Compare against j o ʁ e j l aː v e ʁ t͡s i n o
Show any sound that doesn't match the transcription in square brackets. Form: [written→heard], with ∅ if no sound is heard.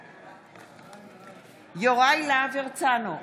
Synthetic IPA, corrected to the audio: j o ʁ [e→a] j l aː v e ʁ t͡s [i→a] n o